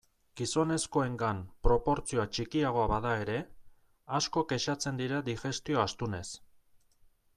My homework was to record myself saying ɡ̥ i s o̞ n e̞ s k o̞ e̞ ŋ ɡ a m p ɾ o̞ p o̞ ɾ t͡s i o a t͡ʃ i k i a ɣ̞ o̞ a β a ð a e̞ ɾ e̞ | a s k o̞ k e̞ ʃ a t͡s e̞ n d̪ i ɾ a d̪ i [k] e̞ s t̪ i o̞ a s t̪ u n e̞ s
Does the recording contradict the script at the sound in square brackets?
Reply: yes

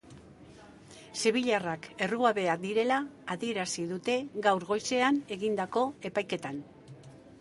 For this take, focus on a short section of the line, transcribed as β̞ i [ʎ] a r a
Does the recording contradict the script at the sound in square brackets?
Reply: no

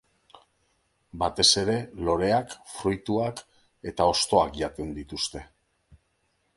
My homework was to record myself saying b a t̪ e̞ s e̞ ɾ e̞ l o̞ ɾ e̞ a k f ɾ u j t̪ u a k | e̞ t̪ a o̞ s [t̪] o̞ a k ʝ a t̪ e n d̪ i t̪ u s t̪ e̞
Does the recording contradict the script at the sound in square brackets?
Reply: no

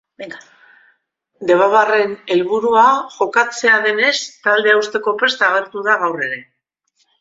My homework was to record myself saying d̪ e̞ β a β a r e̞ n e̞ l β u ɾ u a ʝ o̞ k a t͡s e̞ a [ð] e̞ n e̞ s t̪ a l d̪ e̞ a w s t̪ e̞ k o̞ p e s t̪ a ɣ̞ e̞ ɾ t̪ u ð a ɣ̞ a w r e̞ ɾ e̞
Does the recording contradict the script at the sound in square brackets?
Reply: no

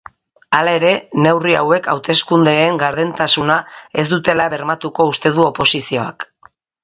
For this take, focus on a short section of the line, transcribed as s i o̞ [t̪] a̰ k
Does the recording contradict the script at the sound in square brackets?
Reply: yes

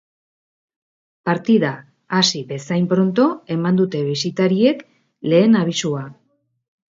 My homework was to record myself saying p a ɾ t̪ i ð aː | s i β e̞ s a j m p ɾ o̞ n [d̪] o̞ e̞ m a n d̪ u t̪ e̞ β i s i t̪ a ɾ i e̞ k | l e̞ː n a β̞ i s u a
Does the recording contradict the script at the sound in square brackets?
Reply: yes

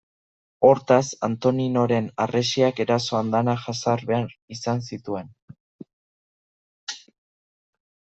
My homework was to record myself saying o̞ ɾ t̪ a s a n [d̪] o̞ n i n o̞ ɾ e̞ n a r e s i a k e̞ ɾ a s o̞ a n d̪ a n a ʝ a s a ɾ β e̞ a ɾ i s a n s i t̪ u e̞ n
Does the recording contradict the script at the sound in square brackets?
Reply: yes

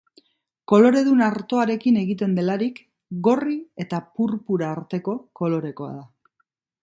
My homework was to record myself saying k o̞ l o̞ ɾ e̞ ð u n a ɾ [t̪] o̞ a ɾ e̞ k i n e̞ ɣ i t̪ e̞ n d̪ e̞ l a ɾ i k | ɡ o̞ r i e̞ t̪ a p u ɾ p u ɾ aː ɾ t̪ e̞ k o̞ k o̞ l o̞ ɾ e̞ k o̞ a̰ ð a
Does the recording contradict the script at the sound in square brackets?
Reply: no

